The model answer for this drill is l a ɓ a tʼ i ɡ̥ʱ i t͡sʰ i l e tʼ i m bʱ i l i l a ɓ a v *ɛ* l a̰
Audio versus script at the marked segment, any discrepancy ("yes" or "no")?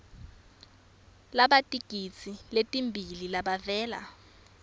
yes